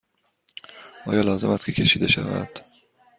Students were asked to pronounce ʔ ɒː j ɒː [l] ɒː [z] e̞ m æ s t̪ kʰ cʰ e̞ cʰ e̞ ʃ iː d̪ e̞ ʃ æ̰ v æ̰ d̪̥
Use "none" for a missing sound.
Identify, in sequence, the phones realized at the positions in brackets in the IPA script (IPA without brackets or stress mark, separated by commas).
l, z